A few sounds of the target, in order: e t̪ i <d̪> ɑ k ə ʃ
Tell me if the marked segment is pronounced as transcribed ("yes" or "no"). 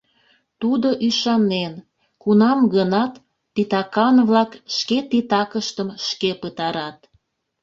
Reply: no